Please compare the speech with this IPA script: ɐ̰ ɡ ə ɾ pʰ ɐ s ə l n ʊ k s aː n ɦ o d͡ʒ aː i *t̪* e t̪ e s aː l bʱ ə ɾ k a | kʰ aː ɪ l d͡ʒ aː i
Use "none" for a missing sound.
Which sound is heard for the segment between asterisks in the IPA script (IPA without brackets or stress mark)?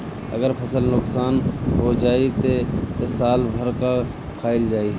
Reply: t̪